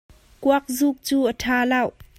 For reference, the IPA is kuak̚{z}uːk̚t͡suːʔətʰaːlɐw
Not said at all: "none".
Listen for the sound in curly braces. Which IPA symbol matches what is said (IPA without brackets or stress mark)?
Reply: z